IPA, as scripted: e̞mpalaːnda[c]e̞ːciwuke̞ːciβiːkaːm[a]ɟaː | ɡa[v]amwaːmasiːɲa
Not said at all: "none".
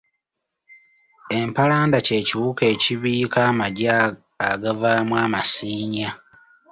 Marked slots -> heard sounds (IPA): c, a, v

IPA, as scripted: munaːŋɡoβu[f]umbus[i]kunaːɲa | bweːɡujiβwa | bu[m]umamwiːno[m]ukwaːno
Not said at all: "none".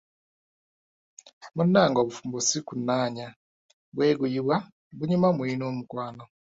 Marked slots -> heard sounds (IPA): f, i, ɲ, m

